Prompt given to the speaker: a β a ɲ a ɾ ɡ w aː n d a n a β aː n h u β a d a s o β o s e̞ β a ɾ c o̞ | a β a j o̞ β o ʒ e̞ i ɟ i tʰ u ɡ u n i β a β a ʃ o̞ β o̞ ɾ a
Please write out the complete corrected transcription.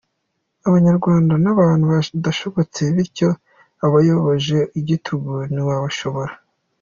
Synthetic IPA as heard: a β a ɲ a ɾ ɡ w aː n d a n a β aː n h u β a d a ʃ o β o t͡s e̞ β i ɾ c o̞ | a β a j o̞ β o ʒ e̞ i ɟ i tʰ u ɡ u n i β a β a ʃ o̞ β o̞ ɾ a